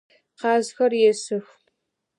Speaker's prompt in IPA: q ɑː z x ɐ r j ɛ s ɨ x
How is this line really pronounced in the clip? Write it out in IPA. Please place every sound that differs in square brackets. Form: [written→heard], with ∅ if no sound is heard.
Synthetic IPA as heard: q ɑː z x ɐ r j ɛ s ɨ x